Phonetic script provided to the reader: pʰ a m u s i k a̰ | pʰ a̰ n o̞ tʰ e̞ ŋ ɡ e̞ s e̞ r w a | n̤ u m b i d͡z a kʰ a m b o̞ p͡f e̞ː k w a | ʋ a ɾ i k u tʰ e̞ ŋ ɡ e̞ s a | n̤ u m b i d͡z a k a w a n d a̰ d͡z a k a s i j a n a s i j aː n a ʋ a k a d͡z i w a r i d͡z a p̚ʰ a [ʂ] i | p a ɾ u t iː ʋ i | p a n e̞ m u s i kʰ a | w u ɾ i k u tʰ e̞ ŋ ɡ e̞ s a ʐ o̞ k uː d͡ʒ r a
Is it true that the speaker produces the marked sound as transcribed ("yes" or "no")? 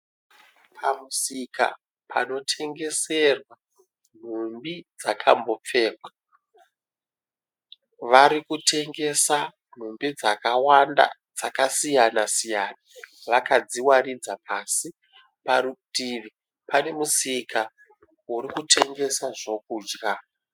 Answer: no